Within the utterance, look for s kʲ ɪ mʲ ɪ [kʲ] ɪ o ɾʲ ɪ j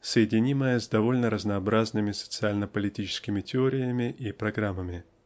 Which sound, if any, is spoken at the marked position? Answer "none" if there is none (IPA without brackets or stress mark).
tʲ